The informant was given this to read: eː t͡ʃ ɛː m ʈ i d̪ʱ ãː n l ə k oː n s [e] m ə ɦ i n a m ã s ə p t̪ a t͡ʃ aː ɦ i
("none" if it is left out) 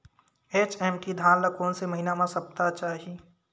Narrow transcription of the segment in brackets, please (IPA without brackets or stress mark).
e